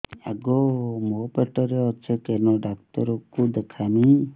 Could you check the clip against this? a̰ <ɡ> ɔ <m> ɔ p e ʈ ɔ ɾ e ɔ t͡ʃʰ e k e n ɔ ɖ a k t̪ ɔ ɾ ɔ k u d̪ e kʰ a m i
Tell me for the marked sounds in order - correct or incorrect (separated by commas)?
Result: correct, correct